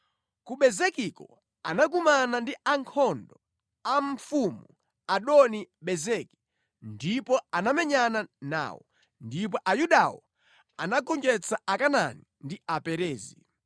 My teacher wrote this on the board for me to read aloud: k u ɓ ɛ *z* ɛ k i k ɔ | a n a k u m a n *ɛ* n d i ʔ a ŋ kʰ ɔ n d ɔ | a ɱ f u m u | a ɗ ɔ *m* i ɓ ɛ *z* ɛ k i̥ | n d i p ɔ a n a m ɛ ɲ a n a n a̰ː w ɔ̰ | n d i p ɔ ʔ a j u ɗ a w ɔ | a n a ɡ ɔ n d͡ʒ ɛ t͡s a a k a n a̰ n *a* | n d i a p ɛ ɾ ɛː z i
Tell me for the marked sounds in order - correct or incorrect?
correct, incorrect: a, incorrect: n, correct, incorrect: i

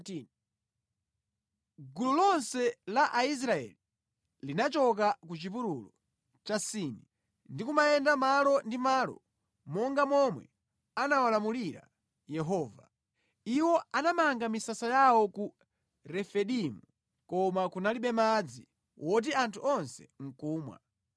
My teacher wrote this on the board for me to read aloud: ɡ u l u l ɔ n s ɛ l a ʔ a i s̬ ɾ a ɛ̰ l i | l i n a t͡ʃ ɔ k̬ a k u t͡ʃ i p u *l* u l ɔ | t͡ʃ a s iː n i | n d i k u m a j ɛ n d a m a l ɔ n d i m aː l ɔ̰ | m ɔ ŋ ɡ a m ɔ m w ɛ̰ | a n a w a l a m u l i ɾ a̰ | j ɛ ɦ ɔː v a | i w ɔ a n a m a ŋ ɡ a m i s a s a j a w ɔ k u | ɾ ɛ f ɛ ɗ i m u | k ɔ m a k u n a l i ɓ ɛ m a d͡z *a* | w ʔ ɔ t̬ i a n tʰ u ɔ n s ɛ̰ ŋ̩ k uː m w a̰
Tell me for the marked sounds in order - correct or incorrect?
incorrect: ɾ, incorrect: i

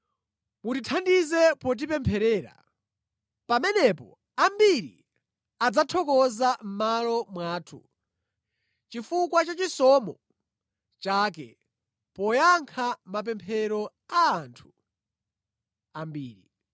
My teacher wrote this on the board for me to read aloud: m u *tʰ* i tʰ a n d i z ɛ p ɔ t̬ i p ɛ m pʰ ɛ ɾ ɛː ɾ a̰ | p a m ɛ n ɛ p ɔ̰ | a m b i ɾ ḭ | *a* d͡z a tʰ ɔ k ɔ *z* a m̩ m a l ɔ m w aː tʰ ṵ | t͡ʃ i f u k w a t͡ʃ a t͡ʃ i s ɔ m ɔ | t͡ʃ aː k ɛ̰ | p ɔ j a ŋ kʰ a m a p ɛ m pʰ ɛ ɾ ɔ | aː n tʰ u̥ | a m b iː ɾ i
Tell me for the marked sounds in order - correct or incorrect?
incorrect: t, correct, correct

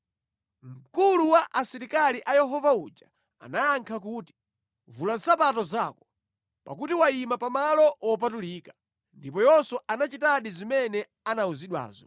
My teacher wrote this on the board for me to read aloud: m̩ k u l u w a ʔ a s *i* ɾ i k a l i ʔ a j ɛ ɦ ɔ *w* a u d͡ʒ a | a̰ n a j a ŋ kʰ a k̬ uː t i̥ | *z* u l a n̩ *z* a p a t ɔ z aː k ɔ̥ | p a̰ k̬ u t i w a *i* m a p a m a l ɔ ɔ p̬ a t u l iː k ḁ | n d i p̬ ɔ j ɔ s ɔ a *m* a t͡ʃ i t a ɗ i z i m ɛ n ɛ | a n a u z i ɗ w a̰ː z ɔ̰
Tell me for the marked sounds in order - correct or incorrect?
correct, incorrect: v, incorrect: v, incorrect: s, correct, incorrect: n

